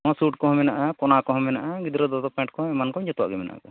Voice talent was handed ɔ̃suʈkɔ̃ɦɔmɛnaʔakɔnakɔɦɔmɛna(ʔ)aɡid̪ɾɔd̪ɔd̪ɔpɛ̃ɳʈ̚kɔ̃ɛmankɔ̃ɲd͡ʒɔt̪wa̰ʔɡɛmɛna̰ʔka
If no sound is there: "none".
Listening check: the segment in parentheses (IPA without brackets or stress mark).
ʔ